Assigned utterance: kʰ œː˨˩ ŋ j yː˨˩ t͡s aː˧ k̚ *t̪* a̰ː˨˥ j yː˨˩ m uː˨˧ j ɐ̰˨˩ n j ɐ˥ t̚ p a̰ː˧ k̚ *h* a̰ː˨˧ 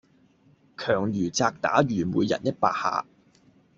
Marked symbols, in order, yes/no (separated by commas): yes, yes